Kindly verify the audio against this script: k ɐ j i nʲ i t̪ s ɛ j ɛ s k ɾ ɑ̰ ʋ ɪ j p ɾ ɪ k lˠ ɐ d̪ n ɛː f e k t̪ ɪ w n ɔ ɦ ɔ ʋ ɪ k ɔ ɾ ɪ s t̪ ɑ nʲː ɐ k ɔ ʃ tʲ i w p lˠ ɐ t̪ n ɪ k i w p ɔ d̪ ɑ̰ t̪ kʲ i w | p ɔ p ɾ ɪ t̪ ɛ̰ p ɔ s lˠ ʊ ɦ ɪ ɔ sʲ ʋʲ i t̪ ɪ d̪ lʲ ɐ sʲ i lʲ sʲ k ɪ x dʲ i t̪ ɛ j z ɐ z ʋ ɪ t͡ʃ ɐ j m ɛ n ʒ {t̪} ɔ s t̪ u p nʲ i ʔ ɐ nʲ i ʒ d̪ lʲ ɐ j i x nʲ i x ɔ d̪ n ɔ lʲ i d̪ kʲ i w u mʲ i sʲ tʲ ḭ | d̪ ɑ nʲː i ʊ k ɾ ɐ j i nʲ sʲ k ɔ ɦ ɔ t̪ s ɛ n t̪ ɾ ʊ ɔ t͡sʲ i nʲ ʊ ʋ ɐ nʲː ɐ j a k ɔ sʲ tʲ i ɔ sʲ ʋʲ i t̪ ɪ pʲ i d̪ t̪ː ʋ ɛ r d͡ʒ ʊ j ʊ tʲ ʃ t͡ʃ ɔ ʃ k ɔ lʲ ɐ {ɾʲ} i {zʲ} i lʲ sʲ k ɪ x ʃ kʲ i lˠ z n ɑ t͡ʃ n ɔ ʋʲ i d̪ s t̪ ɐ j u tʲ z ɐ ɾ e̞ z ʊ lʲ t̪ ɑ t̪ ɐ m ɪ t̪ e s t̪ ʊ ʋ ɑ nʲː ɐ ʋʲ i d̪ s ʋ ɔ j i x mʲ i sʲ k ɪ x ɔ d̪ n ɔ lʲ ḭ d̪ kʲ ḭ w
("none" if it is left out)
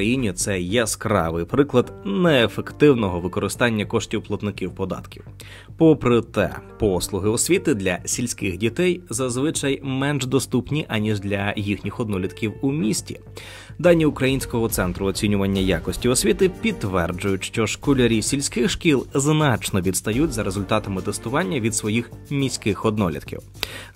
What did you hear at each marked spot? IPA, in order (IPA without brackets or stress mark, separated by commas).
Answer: d̪, ɾʲ, sʲ